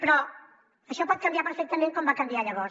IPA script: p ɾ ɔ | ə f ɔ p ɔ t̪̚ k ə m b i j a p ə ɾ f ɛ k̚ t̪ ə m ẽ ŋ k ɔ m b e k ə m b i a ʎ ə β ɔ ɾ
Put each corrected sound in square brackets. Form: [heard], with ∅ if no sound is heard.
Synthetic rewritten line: p ɾ ɔ | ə [ʃ] ɔ p ɔ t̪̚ k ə m b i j a p ə ɾ f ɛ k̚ t̪ ə m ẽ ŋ k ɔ m b [a] k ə m b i a ʎ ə β ɔ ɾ